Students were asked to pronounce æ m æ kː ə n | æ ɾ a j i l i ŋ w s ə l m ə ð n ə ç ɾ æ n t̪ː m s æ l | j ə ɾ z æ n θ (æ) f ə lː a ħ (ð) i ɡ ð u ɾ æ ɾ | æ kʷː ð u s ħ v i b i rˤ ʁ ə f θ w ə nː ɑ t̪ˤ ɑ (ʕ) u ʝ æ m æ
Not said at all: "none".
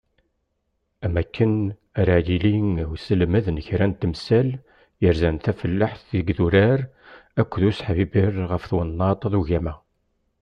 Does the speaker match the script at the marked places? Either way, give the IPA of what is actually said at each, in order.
æ, θ, ð

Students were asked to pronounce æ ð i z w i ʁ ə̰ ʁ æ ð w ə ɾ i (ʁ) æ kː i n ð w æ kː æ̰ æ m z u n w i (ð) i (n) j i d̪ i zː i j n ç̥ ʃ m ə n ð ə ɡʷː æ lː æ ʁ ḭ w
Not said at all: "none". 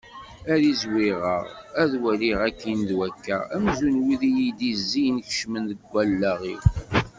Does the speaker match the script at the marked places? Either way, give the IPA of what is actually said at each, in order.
ʁ, ð, none

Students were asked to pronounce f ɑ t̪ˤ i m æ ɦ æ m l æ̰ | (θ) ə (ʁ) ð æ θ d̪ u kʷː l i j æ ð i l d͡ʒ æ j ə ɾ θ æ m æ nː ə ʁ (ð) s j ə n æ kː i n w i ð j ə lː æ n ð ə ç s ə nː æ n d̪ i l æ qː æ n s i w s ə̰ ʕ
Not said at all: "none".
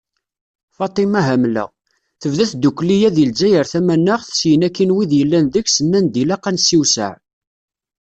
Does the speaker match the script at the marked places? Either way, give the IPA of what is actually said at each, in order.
θ, v, θ

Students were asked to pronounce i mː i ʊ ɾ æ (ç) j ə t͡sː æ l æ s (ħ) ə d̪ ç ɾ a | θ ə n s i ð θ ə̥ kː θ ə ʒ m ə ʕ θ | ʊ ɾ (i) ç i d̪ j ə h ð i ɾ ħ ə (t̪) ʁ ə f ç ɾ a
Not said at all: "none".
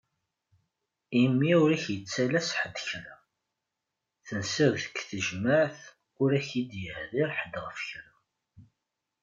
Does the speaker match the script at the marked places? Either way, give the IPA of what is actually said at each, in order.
ç, ħ, æ, d̪

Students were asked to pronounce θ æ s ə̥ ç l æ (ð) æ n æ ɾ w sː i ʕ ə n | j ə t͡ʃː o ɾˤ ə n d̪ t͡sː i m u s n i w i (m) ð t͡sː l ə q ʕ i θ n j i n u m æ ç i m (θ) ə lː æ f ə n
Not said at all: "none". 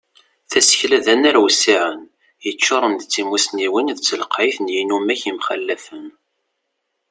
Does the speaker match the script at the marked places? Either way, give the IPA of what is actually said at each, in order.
ð, n, χ

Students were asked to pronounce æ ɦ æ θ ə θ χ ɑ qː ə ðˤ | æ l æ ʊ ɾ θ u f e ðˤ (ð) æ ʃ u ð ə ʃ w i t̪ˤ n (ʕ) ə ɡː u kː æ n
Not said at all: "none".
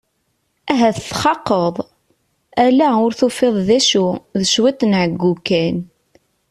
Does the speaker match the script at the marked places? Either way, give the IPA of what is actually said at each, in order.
ð, ʕ

